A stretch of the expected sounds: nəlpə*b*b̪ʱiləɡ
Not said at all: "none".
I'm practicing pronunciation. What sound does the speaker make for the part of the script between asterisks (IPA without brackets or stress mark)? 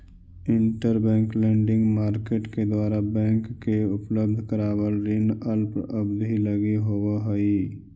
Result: b